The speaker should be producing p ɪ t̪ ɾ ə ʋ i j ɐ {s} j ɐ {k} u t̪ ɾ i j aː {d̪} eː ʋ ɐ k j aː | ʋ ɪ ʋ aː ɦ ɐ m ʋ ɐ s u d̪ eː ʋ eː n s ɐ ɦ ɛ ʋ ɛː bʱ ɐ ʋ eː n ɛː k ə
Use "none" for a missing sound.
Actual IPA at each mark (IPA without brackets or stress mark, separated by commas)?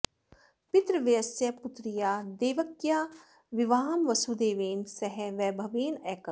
s, p, d̪